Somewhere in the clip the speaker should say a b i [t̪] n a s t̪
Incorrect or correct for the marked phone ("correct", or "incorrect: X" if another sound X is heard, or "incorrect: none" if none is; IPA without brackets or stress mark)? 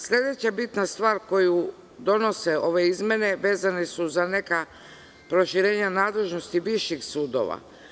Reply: correct